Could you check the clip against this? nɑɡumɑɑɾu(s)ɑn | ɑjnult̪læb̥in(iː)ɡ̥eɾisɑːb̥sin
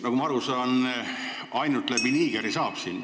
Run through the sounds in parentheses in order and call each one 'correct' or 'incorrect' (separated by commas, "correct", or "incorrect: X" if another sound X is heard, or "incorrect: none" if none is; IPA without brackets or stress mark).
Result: correct, correct